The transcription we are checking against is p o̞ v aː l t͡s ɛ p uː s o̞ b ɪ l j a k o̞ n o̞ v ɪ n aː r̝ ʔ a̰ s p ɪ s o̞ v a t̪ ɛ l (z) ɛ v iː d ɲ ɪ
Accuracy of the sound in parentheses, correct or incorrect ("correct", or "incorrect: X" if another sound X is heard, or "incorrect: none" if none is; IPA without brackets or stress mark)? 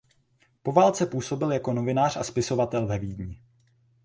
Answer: incorrect: v